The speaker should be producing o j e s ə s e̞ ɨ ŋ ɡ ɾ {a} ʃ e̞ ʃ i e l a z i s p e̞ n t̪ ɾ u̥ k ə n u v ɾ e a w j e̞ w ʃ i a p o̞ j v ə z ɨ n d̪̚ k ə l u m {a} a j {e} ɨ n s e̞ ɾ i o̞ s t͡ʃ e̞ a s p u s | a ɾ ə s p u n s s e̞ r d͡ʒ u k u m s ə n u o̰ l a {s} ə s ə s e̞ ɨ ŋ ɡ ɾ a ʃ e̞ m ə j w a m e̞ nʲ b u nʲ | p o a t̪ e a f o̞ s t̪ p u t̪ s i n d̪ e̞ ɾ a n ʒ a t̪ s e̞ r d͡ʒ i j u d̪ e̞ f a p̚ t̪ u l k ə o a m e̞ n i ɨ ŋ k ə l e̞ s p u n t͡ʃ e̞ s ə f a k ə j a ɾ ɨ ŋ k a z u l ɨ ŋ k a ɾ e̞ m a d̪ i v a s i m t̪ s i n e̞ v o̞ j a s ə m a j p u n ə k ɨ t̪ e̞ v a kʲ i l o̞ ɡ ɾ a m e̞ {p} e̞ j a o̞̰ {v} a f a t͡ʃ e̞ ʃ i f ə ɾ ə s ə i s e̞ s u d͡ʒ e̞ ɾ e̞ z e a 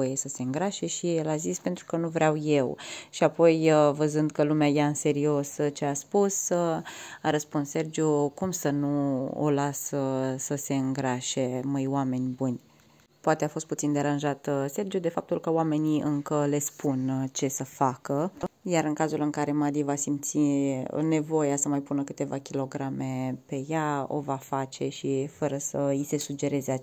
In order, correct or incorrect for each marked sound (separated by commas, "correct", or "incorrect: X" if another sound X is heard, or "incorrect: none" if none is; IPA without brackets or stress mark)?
correct, incorrect: e, incorrect: a, correct, correct, correct